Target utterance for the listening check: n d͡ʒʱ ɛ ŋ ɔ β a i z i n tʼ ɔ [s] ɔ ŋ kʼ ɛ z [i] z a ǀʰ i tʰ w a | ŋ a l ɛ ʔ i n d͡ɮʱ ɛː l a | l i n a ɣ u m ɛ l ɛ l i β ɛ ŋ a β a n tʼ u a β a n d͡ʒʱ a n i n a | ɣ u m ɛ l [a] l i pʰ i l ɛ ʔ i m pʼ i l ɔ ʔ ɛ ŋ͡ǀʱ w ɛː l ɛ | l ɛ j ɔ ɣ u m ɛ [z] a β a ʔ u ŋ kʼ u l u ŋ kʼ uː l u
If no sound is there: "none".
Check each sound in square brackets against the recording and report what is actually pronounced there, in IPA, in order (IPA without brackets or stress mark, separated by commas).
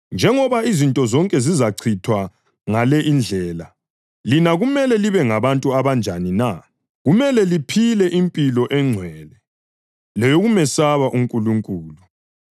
z, i, ɛ, s